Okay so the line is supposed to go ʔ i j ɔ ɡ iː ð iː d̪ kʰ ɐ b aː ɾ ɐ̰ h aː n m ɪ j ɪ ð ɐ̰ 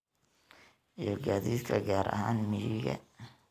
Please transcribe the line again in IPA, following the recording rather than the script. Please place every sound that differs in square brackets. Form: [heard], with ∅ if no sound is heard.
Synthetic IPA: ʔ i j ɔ ɡ [aː] ð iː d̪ kʰ ɐ [ɡ] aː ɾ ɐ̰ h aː n m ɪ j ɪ [ɣ] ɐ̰